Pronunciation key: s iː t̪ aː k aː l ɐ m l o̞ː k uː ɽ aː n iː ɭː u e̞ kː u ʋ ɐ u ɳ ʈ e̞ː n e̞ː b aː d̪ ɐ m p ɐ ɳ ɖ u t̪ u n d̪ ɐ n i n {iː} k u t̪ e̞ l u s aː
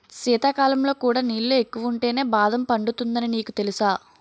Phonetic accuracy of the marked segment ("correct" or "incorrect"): correct